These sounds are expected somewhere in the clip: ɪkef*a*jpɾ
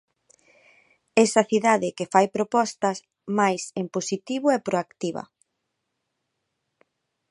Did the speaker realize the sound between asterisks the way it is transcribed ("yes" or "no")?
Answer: yes